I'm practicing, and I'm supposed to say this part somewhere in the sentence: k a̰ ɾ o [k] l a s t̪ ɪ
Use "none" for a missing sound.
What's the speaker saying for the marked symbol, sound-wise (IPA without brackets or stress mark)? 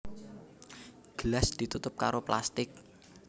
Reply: p